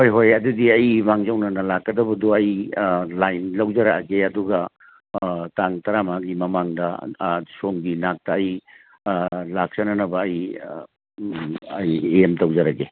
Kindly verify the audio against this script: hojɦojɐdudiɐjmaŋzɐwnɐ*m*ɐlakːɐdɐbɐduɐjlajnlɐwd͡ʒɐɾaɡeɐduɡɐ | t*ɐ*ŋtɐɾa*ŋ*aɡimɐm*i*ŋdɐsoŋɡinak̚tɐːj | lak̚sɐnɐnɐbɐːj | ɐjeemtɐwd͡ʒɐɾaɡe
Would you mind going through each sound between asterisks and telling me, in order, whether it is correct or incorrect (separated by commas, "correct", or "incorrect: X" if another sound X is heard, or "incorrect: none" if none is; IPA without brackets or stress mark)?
incorrect: n, incorrect: a, incorrect: m, incorrect: a